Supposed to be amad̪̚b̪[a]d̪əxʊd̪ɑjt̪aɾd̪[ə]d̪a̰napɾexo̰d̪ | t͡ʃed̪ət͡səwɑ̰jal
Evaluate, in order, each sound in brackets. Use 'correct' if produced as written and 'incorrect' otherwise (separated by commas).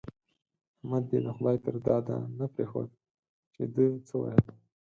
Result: incorrect, incorrect